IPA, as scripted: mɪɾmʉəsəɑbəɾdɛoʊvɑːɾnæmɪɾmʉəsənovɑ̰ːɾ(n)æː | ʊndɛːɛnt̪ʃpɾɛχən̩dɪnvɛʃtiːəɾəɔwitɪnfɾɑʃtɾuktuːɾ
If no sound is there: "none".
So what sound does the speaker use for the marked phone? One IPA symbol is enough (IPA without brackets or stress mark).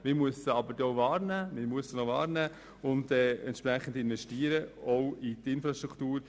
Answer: n